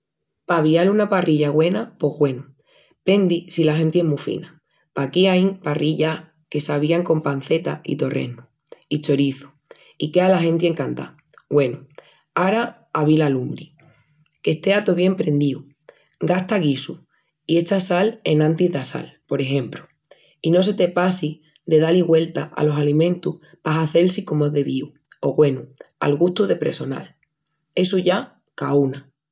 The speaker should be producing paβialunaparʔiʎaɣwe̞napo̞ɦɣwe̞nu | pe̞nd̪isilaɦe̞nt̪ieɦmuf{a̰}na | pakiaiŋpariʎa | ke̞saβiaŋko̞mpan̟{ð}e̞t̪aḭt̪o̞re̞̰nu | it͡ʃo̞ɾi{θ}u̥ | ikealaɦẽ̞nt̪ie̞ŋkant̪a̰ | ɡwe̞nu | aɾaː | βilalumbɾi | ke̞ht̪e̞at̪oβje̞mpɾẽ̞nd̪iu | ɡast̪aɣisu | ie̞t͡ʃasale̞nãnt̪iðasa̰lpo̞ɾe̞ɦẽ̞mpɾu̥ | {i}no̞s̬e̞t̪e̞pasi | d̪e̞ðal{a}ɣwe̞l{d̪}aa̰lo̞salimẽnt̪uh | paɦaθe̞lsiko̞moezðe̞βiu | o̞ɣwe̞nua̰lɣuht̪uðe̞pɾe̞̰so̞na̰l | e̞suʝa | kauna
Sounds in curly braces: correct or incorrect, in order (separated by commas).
incorrect, incorrect, correct, correct, incorrect, incorrect